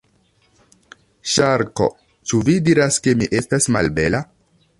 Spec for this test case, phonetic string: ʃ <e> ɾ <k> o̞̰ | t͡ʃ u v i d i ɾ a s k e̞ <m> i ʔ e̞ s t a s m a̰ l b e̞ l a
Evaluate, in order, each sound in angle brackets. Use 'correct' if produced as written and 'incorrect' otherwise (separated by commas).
incorrect, correct, correct